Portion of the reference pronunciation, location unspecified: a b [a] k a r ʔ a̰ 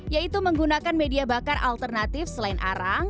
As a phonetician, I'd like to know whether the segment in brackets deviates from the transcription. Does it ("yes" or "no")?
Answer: no